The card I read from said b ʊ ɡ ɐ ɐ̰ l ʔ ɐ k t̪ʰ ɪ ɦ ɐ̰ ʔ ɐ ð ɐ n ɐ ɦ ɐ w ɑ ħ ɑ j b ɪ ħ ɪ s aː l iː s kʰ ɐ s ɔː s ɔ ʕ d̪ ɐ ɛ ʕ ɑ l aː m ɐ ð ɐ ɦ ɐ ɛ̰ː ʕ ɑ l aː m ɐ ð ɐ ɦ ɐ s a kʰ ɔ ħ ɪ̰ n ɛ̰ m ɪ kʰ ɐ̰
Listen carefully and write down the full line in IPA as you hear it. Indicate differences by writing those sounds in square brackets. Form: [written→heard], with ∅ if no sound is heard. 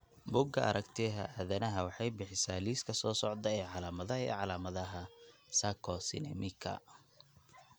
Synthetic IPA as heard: b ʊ ɡ ɐ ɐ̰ [l→ɾ] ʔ ɐ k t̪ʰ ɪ ɦ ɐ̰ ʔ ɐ ð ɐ n ɐ ɦ ɐ w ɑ ħ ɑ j b ɪ ħ ɪ s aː l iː s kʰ ɐ s ɔː s ɔ ʕ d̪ ɐ ɛ ʕ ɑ l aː m ɐ ð ɐ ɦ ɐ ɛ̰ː ʕ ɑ l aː m ɐ ð ɐ ɦ ɐ s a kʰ ɔ [ħ→s] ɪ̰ n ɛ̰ m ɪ kʰ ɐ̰

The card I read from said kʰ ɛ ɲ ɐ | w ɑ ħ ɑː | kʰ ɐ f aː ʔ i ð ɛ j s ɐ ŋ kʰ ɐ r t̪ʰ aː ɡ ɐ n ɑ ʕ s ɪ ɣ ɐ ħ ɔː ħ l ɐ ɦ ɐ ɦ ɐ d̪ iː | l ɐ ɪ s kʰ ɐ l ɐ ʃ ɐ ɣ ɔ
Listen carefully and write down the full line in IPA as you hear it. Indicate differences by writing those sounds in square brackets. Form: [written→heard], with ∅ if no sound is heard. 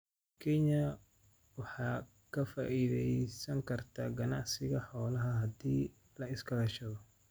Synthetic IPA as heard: kʰ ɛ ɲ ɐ | w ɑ ħ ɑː | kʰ ɐ f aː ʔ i ð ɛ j s ɐ ŋ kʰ ɐ r t̪ʰ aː ɡ ɐ n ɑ ʕ s ɪ ɣ ɐ ħ ɔː [ħ→∅] l ɐ ɦ ɐ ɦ ɐ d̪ iː | l ɐ ɪ s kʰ ɐ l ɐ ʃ ɐ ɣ ɔ

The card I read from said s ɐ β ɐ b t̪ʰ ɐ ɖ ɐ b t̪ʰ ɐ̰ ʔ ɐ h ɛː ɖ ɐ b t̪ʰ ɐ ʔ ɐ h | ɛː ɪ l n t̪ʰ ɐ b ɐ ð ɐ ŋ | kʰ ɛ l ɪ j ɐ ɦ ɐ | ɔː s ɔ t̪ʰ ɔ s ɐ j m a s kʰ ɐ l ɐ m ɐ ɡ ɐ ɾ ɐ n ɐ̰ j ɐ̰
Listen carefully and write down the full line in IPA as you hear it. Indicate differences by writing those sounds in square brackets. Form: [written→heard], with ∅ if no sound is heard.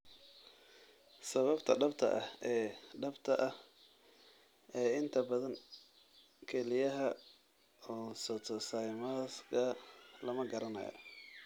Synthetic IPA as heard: s ɐ β ɐ b t̪ʰ ɐ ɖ ɐ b t̪ʰ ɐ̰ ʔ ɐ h ɛː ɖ ɐ b t̪ʰ ɐ ʔ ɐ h | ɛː ɪ [l→∅] n t̪ʰ ɐ b ɐ ð ɐ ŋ | kʰ ɛ l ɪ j ɐ ɦ ɐ | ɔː s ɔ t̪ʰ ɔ s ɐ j m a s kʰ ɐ l ɐ m ɐ ɡ ɐ ɾ ɐ n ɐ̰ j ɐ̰

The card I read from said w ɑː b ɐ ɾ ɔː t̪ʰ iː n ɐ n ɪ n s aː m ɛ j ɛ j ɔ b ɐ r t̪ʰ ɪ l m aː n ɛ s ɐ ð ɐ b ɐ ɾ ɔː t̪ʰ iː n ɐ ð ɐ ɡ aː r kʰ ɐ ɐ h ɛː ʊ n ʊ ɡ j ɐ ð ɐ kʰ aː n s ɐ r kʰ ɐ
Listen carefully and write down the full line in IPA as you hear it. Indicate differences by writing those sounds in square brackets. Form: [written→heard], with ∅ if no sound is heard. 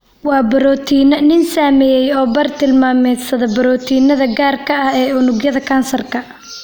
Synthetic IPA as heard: w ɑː b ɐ ɾ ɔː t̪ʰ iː n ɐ n ɪ n s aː m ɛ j ɛ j [ɔ→ɔː] b ɐ r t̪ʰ ɪ l m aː [n→m] ɛ s ɐ ð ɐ b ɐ ɾ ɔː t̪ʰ iː n ɐ ð ɐ ɡ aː r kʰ ɐ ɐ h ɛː ʊ n ʊ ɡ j ɐ ð ɐ kʰ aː n s ɐ r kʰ ɐ

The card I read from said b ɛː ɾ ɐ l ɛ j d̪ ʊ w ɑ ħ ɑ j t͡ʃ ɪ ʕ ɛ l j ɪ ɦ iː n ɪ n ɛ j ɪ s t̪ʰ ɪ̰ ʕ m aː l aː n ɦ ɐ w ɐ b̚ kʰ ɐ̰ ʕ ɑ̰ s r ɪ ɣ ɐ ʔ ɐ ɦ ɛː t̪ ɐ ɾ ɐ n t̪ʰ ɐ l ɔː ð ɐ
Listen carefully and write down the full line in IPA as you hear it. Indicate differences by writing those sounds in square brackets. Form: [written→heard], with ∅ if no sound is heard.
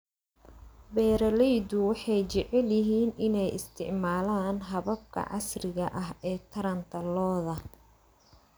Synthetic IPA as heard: b ɛː ɾ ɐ l ɛ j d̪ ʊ w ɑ ħ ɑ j t͡ʃ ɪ ʕ ɛ l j ɪ ɦ iː n ɪ n ɛ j ɪ s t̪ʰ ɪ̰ ʕ m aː l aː n ɦ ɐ [w→β] ɐ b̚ kʰ ɐ̰ ʕ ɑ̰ s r ɪ ɣ ɐ ʔ ɐ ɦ ɛː [t̪→t̪ʰ] ɐ ɾ ɐ n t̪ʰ ɐ l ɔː ð ɐ

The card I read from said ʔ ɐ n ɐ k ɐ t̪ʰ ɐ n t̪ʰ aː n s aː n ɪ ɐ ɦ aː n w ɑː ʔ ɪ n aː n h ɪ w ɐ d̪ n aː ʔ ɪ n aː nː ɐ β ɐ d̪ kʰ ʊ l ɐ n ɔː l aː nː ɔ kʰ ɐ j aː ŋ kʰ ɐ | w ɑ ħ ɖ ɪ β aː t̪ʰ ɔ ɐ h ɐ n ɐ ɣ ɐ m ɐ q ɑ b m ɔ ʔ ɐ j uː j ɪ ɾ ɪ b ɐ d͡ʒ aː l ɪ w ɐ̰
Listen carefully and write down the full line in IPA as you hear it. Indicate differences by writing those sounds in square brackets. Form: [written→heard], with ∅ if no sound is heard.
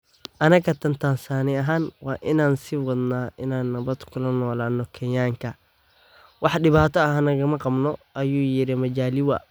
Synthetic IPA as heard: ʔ ɐ n ɐ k ɐ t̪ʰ ɐ n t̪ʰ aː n s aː n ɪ ɐ ɦ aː n w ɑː ʔ ɪ n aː n [h→s] ɪ w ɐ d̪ n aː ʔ ɪ n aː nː ɐ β ɐ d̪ kʰ ʊ l ɐ n ɔː l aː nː ɔ kʰ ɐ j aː ŋ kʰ ɐ | w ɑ ħ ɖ ɪ β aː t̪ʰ ɔ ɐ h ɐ n ɐ ɣ ɐ m ɐ q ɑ b [m→n] ɔ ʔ ɐ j uː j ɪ ɾ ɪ [b→m] ɐ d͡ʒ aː l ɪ w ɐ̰

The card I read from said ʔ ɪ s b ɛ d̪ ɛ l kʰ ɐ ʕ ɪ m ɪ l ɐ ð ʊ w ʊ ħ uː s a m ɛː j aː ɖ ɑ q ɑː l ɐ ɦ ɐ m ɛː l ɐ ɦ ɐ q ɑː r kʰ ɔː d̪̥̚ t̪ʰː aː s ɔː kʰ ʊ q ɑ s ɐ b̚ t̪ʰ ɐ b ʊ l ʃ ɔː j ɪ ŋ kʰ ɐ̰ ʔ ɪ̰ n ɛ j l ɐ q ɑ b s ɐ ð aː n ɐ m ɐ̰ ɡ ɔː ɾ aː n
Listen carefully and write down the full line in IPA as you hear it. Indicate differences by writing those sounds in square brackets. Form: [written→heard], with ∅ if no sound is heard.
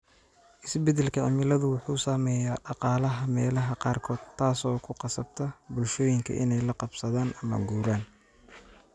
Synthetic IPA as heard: ʔ ɪ s b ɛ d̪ ɛ l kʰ ɐ ʕ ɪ m ɪ l ɐ ð ʊ w ʊ ħ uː s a m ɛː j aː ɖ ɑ q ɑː l ɐ ɦ ɐ m ɛː l ɐ ɦ ɐ q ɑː r kʰ ɔː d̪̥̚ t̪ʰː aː s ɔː kʰ ʊ q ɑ s ɐ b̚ t̪ʰ ɐ b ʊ l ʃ ɔː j ɪ ŋ kʰ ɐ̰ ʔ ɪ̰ n ɛ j l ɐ q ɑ b s ɐ ð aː n ɐ m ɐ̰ ɡ [ɔː→uː] ɾ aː n

